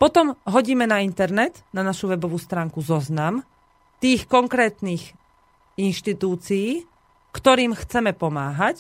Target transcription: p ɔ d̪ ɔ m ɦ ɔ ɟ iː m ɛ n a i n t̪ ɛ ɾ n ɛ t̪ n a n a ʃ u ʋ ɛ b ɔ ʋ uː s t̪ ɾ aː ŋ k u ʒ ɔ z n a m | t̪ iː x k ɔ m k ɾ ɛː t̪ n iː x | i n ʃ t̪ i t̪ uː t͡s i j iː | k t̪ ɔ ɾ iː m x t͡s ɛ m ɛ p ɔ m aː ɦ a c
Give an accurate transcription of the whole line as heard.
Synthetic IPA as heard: p ɔ t̪ ɔ m ɦ ɔ ɟ iː m ɛ n a i n t̪ ɛ ɾ n ɛ t̪ n a n a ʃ u ʋ ɛ b ɔ ʋ uː s t̪ ɾ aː ŋ k u z ɔ z n a m | t̪ iː x k ɔ ŋ k ɾ ɛː t̪ n iː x | i n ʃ t̪ i t̪ uː t͡s i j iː | k t̪ ɔ ɾ iː m x t͡s ɛ m ɛ p ɔ m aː ɦ a c